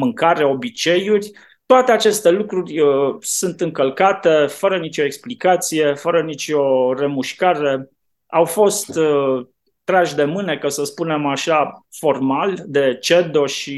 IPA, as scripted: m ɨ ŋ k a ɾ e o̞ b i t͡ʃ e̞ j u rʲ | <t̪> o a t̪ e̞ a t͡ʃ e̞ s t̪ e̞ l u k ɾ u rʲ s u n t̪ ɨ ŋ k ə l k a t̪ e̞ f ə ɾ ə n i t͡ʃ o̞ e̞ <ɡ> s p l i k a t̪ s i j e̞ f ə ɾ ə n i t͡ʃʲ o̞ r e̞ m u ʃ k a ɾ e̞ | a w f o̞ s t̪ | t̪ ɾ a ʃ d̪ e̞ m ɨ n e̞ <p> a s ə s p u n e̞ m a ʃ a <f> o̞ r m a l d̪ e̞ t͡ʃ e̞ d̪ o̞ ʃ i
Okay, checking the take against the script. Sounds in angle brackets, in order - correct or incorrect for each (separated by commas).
correct, incorrect, incorrect, correct